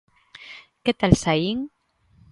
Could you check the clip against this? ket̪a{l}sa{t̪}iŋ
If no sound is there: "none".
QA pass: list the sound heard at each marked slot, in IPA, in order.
l, none

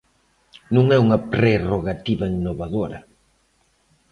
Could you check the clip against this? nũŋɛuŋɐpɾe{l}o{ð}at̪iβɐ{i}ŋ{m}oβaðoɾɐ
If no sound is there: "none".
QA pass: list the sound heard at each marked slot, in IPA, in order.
r, ɣ, i, n

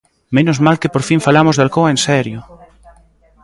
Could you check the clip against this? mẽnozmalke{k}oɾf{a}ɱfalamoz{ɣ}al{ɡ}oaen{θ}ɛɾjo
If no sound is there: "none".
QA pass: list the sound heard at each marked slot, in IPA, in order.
p, i, ð, k, s

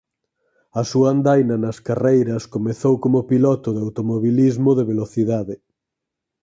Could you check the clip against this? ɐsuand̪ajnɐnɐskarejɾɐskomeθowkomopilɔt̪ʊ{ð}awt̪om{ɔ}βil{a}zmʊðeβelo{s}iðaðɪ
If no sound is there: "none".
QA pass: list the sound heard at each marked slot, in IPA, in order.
ð, o, i, θ

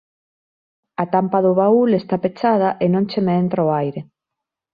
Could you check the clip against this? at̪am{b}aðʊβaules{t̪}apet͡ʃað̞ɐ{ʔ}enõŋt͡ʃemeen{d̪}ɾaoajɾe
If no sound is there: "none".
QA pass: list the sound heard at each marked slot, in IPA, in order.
p, t̪, ʔ, t̪

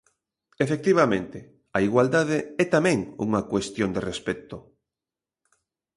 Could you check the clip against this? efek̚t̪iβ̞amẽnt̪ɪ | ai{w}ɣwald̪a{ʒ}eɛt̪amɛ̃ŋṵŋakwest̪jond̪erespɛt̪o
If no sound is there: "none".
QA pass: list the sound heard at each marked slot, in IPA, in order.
none, ð

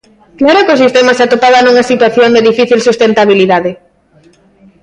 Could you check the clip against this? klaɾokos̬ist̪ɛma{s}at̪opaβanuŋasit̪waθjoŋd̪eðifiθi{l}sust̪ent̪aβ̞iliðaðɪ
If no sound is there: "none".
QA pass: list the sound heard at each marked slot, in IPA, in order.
s, l

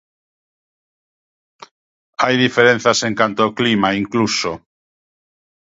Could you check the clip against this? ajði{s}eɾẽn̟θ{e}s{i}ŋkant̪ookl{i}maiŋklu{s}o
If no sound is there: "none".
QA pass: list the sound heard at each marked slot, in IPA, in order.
f, a, e, i, s

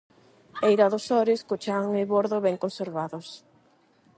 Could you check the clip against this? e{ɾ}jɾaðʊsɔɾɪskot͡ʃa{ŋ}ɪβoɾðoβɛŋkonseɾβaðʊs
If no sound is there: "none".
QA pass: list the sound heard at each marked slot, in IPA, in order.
none, ŋ

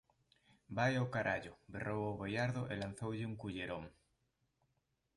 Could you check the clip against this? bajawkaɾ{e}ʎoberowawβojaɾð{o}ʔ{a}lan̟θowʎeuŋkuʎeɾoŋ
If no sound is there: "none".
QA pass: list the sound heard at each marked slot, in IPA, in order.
a, o, e

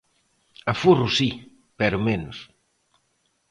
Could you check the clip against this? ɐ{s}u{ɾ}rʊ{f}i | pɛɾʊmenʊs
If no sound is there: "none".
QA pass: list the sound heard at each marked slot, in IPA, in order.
f, none, s

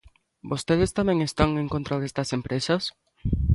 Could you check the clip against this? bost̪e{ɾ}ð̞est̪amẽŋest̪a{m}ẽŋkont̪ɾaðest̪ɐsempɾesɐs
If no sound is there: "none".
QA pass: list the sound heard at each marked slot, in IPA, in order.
none, ŋ

